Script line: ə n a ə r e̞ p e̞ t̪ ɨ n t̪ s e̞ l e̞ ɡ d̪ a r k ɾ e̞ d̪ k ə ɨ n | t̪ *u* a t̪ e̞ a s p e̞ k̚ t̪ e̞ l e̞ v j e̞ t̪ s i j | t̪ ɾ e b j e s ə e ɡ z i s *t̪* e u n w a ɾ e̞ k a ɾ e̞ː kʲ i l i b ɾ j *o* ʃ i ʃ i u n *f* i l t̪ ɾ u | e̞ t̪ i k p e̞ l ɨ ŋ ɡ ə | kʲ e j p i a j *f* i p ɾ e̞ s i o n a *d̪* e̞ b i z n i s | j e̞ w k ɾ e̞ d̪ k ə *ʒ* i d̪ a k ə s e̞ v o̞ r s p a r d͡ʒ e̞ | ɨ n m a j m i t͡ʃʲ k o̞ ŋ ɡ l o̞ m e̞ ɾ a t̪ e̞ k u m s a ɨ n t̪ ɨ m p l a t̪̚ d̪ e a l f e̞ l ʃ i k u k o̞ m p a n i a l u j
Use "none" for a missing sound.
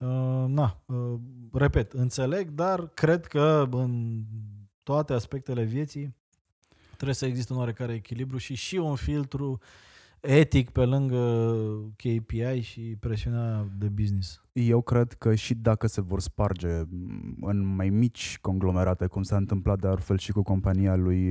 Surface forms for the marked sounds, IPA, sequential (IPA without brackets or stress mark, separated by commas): o, t̪, u, f, ʃ, d̪, ʃ